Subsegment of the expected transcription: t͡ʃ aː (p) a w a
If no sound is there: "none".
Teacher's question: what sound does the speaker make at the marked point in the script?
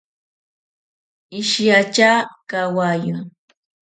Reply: k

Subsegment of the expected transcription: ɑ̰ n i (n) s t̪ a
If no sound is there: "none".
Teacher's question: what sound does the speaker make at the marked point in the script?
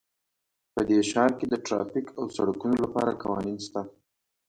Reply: n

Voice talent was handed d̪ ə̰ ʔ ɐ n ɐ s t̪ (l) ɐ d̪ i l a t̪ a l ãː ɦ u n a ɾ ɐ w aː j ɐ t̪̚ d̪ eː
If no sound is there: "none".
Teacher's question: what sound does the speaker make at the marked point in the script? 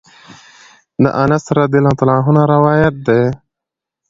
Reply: ɾ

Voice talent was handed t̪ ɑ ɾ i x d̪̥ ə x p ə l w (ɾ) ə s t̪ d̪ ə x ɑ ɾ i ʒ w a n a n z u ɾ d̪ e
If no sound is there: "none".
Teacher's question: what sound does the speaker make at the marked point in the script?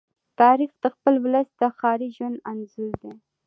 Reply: l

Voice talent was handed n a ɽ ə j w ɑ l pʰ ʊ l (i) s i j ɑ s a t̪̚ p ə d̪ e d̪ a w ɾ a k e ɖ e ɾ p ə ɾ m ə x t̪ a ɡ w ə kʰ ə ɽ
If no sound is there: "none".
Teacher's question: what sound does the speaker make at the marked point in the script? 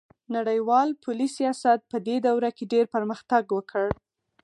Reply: i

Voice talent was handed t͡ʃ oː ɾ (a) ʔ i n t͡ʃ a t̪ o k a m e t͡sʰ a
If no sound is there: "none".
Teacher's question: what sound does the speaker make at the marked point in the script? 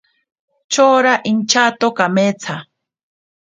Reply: a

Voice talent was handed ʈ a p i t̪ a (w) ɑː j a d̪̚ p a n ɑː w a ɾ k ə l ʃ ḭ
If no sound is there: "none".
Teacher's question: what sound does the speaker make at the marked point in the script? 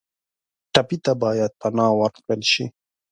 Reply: b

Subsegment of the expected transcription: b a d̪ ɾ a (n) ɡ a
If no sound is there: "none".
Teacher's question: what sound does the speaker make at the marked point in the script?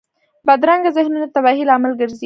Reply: ŋ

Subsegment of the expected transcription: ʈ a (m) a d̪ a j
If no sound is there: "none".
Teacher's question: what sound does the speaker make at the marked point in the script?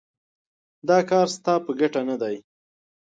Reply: n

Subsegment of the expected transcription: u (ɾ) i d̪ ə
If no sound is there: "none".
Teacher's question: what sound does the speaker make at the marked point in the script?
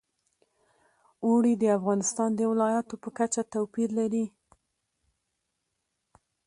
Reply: ɽ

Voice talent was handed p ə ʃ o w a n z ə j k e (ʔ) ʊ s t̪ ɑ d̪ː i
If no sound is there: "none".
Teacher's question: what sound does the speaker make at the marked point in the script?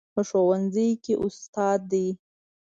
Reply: ʔ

